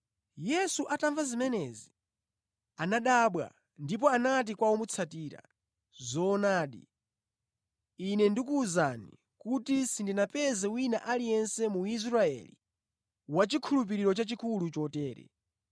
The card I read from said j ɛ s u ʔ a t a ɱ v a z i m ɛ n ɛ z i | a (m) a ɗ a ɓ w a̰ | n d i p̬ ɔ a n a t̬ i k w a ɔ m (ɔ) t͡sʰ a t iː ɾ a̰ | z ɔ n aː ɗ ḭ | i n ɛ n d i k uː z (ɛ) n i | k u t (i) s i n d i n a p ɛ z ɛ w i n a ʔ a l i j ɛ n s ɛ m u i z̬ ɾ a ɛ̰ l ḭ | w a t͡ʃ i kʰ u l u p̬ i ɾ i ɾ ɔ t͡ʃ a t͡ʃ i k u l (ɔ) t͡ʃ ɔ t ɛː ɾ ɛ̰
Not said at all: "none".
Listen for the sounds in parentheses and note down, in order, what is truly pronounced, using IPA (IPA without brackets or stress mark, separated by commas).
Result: n, u, a, i, u